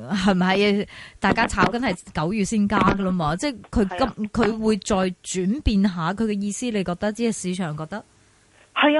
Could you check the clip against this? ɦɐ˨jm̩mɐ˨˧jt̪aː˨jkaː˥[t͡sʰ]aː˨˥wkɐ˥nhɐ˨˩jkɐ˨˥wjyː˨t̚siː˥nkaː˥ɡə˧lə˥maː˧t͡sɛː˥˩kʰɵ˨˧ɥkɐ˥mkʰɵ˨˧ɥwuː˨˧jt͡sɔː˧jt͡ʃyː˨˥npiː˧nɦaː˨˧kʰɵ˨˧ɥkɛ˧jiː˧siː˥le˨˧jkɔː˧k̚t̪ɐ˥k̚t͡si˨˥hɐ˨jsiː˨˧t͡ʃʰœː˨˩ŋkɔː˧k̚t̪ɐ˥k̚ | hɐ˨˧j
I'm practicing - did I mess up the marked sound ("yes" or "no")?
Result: no